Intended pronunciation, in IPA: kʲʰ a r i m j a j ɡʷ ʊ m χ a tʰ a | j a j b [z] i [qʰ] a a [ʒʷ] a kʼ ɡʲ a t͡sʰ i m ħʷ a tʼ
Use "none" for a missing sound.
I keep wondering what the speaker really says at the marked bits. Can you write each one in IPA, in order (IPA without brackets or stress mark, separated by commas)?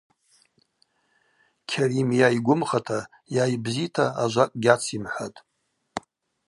z, tʰ, ʒʷ